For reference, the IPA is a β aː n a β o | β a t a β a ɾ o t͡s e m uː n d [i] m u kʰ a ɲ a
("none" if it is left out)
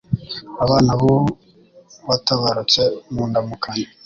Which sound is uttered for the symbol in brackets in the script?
a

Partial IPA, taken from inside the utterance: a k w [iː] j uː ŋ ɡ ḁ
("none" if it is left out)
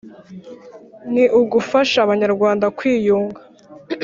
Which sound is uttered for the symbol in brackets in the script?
iː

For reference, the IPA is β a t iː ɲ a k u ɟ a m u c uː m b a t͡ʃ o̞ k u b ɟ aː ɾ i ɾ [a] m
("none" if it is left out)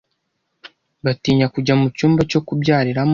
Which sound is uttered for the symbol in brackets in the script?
a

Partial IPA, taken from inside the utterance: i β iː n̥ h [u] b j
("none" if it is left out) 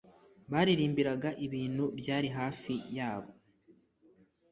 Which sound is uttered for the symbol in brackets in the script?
u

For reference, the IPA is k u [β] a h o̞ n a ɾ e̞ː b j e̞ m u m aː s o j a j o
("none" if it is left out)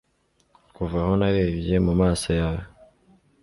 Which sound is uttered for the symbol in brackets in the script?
v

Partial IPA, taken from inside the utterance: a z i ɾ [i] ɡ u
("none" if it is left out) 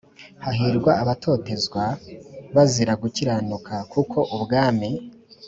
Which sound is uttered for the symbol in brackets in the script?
a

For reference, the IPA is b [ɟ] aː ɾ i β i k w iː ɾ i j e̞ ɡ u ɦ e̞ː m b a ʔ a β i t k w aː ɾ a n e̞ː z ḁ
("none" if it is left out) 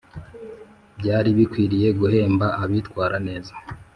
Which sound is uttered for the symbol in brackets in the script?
ɟ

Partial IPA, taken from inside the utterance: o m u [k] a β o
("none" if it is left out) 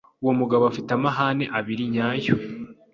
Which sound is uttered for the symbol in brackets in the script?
ɡ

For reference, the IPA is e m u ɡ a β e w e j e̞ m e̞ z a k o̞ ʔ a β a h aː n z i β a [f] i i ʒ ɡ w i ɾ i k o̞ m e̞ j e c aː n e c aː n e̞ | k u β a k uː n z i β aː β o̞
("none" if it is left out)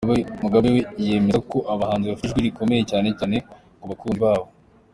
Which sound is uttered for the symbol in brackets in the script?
f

